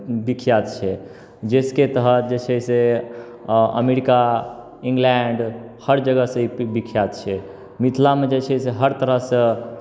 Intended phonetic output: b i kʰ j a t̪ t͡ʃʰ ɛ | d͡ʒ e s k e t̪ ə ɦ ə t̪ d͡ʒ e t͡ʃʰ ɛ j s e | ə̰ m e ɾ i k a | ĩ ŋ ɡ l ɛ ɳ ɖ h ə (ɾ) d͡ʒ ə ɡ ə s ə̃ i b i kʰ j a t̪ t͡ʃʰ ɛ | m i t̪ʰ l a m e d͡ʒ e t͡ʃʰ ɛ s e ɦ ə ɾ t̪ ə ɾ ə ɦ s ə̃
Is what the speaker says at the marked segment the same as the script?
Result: yes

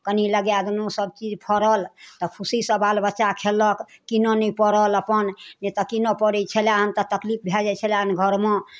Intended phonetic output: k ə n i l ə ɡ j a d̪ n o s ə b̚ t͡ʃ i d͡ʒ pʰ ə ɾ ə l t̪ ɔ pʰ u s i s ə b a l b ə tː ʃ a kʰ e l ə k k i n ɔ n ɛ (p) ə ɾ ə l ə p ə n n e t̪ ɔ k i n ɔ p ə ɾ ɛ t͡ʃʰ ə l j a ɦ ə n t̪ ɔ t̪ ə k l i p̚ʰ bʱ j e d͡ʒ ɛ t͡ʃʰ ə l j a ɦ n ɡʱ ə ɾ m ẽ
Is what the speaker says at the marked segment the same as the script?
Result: yes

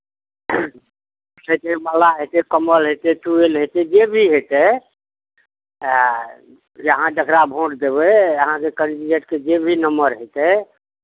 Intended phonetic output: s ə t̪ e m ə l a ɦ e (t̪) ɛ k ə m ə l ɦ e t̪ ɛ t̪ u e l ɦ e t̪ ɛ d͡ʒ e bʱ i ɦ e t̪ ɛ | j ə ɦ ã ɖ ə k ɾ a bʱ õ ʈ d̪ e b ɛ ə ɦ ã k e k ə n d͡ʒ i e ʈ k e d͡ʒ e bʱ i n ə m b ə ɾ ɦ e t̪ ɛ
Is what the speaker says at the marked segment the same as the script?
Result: yes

